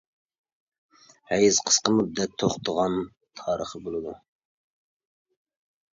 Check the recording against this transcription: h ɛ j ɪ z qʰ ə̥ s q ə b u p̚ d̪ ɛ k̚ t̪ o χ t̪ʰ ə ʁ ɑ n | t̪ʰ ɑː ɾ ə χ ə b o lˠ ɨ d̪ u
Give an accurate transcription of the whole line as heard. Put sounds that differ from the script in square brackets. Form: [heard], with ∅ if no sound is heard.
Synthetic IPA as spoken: h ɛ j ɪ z qʰ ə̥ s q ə [m] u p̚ d̪ ɛ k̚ [t̪ʰ] o χ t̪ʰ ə ʁ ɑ n | t̪ʰ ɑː ɾ ə χ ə b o lˠ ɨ d̪ u